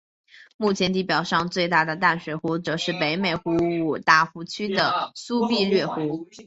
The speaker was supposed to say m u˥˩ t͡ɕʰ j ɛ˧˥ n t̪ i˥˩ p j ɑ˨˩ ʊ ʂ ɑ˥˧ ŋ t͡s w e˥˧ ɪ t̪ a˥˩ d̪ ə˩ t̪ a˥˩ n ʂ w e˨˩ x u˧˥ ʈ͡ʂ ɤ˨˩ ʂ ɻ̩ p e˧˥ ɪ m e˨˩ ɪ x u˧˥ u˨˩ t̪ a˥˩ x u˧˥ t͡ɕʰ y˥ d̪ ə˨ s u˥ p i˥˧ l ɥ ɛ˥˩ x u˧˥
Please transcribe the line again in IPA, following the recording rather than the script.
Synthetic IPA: m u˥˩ t͡ɕʰ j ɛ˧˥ n t̪ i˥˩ p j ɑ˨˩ ʊ ʂ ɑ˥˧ ŋ t͡s w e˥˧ ɪ t̪ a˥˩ d̪ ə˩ t̪ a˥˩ n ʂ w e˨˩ x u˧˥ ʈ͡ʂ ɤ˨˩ ʂ ɻ̩ p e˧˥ ɪ m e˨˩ ɪ x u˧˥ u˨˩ t̪ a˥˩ x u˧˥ t͡ɕʰ y˥ d̪ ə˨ s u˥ p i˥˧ l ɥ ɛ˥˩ x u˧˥